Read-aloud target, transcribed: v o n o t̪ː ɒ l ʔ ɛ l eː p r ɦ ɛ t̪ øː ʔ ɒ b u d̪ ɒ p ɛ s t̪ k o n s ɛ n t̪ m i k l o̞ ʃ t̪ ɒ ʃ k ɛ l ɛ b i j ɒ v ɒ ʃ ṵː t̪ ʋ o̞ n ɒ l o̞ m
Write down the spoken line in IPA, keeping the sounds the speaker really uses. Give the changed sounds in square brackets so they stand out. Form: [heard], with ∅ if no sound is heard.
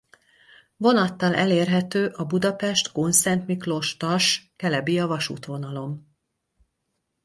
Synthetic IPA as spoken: v o n [ɒ] t̪ː ɒ l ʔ ɛ l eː [∅] r ɦ ɛ t̪ øː ʔ ɒ b u d̪ ɒ p ɛ [ʃ] t̪ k o n s ɛ n t̪ m i k l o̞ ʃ t̪ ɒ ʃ k ɛ l ɛ b i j ɒ v ɒ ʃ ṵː t̪ ʋ o̞ n ɒ l o̞ m